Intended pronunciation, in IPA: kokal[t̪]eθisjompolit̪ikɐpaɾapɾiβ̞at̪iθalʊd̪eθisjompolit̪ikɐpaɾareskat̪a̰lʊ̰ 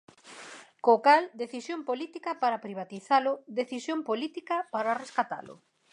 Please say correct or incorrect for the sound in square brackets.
incorrect